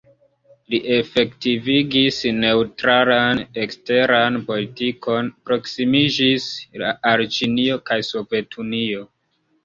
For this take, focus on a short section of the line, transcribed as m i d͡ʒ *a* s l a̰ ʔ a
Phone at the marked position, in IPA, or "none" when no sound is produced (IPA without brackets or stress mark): i